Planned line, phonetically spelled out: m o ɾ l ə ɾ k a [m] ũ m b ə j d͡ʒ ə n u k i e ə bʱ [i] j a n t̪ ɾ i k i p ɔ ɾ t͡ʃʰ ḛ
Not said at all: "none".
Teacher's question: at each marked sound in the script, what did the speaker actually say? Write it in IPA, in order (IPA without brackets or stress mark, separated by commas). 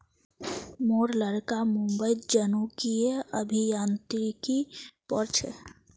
m, i